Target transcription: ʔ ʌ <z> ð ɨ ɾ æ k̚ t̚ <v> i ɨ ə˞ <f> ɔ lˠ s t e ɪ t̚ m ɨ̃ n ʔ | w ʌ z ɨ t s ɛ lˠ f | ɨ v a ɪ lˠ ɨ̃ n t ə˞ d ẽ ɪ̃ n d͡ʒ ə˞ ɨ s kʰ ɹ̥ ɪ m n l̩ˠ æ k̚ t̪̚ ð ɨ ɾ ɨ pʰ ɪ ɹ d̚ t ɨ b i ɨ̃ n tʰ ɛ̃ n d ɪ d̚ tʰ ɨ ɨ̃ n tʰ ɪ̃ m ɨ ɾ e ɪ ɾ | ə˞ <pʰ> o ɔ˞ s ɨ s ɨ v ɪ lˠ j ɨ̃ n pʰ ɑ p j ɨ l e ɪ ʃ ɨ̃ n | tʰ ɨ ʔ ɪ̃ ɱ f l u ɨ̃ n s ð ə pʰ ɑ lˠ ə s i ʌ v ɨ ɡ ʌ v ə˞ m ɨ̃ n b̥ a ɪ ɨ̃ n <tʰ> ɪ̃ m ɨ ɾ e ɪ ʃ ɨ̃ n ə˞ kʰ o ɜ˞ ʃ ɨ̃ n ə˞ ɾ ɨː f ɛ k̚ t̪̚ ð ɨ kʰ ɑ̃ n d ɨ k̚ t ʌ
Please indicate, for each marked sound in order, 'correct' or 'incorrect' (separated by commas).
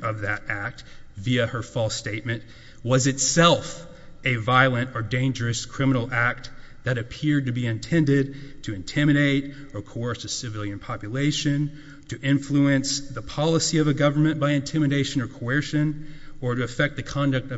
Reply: incorrect, correct, correct, incorrect, correct